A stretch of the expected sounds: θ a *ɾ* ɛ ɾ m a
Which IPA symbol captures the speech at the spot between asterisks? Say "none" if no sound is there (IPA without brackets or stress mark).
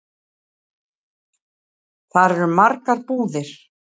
ɾ